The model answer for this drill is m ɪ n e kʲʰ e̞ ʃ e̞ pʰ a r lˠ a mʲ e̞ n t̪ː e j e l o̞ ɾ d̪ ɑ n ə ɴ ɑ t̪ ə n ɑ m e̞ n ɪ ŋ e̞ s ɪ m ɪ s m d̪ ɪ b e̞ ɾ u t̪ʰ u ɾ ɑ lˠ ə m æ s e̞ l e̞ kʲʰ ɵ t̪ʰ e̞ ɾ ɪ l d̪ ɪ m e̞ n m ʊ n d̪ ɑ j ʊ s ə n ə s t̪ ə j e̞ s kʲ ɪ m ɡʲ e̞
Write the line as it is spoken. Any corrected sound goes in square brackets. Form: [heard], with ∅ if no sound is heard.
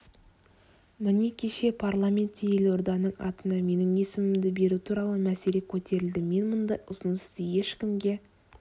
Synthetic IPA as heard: m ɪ n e kʲʰ e̞ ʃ e̞ pʰ a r lˠ a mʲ e̞ n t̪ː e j e l o̞ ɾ d̪ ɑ n ə ɴ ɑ t̪ ə n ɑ m e̞ n ɪ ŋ e̞ s ɪ m ɪ [∅] m d̪ ɪ b e̞ ɾ u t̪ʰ u ɾ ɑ lˠ ə m æ s e̞ l e̞ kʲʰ ɵ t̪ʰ e̞ ɾ ɪ l d̪ ɪ m e̞ n m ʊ n d̪ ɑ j ʊ s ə n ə s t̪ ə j e̞ [ʃ] kʲ ɪ m ɡʲ e̞